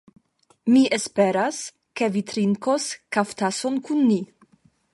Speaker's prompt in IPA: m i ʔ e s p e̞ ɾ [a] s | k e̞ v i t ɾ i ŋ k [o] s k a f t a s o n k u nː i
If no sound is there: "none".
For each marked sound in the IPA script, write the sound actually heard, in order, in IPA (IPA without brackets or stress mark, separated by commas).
a, o